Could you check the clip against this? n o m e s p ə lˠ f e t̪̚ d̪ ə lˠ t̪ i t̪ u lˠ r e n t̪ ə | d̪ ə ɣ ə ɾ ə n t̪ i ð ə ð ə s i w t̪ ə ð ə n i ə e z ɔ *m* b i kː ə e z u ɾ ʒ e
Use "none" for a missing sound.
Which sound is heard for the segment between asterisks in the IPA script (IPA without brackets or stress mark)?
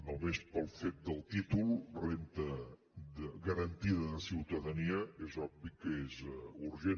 b